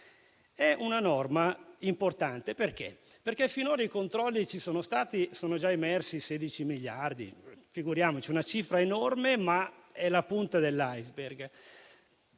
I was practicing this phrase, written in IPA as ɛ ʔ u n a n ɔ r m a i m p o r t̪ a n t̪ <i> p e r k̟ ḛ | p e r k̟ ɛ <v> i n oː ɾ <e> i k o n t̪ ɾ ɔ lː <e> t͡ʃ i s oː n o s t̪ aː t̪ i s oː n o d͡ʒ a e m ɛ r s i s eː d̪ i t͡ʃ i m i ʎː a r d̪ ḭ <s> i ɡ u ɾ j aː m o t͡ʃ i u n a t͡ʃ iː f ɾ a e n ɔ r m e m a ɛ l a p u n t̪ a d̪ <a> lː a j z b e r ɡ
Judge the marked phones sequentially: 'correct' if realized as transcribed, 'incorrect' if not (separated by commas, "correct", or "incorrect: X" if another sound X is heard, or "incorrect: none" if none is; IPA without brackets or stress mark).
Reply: incorrect: e, incorrect: f, incorrect: a, incorrect: i, incorrect: f, incorrect: e